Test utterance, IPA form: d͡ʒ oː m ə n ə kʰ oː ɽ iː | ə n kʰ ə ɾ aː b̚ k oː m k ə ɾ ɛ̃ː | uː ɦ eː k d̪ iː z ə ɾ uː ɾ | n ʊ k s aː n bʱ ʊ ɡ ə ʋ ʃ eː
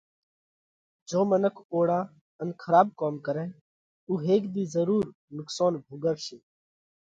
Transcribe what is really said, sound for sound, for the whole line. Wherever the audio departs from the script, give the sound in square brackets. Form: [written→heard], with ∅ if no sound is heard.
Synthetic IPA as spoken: d͡ʒ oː m ə n ə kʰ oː ɽ [iː→aː] | ə n kʰ ə ɾ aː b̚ k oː m k ə ɾ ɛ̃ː | uː ɦ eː k d̪ iː z ə ɾ uː ɾ | n ʊ k s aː n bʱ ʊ ɡ ə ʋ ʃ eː